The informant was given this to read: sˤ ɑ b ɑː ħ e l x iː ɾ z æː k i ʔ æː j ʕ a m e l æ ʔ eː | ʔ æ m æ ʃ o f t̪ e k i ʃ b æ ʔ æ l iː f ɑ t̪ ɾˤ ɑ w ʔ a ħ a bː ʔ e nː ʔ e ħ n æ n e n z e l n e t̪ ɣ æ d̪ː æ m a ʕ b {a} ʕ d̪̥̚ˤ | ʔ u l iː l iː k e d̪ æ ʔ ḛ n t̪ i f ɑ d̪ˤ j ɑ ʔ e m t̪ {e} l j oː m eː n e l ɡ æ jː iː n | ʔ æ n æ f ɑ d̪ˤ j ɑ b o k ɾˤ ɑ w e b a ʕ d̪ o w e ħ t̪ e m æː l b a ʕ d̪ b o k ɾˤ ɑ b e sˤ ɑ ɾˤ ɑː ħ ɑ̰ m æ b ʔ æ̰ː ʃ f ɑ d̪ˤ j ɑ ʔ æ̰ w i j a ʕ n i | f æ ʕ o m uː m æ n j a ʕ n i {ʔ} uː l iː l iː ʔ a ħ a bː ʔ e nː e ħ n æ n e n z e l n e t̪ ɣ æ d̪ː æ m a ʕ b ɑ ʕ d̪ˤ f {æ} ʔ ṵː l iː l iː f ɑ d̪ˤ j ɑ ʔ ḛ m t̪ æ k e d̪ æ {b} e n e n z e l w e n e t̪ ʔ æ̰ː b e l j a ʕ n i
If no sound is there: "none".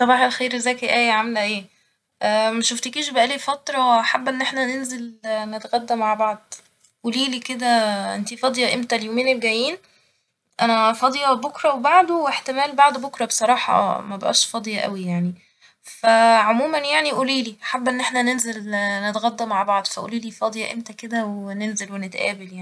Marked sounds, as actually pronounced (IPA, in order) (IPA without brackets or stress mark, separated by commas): ɑ, æ, ʔ, æ, w